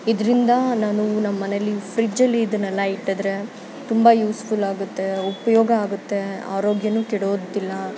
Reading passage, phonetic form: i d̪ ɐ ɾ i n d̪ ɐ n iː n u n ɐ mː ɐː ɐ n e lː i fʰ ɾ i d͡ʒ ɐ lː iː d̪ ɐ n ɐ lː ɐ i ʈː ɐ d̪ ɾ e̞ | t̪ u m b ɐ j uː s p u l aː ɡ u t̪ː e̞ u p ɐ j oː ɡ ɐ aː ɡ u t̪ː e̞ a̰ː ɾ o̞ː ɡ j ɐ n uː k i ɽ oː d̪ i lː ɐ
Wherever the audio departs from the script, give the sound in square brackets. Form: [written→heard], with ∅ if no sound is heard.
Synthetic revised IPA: i d̪ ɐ ɾ i n d̪ ɐ n [iː→aː] n u n ɐ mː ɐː ɐ n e lː i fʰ ɾ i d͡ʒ ɐ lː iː d̪ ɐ n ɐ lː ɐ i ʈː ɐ d̪ ɾ e̞ | t̪ u m b ɐ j uː s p u l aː ɡ u t̪ː e̞ u p ɐ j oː ɡ ɐ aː ɡ u t̪ː e̞ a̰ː ɾ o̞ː ɡ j ɐ n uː k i ɽ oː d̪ i lː ɐ